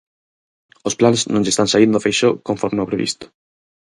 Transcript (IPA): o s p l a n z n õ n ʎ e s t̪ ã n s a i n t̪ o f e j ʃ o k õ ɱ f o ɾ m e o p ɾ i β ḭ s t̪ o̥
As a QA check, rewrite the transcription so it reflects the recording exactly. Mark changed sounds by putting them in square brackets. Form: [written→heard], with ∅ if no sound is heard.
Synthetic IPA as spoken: o s p l a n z n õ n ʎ e s t̪ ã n s a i n [t̪→d̪] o f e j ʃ o k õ ɱ f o ɾ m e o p ɾ [i→e] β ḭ s t̪ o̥